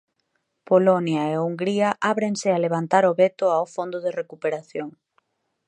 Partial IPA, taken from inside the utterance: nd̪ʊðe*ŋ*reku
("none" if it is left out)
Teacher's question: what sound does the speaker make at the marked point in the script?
none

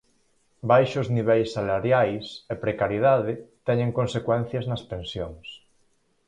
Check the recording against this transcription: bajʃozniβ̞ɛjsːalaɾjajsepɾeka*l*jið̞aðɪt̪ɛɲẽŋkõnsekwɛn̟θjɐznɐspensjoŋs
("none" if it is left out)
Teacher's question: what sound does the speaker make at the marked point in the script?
ɾ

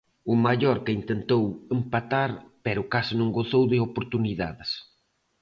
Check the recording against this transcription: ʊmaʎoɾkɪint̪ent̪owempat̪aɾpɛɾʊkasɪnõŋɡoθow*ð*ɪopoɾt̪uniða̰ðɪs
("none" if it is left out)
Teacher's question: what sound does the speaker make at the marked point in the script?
ð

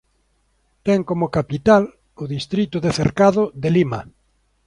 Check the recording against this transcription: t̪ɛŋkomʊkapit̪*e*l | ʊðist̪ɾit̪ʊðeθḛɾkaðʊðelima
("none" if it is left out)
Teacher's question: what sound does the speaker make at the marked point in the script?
a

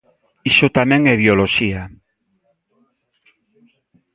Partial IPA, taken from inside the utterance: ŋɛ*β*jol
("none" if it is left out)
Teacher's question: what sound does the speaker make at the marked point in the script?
β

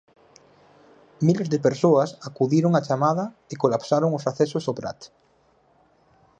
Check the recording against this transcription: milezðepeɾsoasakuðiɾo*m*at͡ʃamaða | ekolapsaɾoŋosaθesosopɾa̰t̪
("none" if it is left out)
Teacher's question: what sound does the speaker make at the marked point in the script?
ŋ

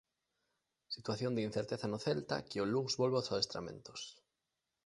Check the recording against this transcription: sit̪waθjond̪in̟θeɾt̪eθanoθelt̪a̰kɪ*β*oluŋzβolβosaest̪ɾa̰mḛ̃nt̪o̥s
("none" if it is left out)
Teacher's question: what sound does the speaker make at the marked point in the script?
none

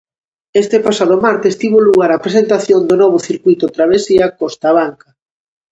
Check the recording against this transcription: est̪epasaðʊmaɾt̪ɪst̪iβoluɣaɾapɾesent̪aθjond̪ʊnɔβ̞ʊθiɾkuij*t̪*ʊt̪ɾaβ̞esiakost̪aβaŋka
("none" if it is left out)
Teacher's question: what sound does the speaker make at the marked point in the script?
t̪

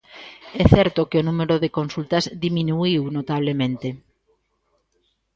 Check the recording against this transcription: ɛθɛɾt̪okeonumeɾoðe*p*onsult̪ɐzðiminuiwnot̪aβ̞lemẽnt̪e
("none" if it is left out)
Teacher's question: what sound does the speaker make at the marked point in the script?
k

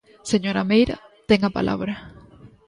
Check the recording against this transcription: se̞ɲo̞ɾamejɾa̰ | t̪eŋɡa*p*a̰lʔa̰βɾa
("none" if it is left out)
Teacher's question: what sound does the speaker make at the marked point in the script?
p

